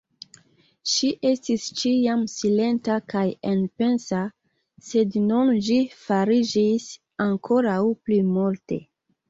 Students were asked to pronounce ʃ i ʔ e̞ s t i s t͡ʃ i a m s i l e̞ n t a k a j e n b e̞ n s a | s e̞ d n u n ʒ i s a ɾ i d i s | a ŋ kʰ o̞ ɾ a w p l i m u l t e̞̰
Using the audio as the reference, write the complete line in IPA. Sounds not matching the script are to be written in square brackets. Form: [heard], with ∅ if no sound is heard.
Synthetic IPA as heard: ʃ i ʔ e̞ s t i s t͡ʃ i a m s i l e̞ n t a k a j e n [p] e̞ n s a | s e̞ d n u n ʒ i [f] a ɾ i [d͡ʒ] i s | a ŋ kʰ o̞ ɾ a w p l i m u l t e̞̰